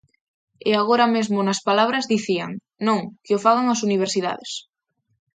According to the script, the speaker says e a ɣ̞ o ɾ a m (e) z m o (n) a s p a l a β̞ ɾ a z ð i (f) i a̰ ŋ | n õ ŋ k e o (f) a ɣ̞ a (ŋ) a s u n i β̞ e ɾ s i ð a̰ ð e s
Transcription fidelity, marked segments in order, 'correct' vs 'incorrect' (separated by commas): correct, correct, incorrect, correct, correct